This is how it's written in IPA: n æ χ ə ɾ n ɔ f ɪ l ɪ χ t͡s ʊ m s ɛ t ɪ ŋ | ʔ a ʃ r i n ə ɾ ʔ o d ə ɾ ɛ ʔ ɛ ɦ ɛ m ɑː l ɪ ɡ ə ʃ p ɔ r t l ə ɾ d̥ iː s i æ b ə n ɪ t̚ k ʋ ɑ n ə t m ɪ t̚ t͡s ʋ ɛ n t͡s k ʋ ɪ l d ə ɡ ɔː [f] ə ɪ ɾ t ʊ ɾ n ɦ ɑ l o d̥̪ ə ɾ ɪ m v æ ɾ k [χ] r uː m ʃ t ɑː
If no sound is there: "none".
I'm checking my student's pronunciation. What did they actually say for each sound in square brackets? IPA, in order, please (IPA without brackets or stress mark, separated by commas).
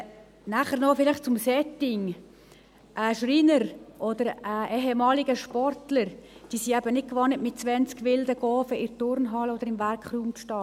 f, χ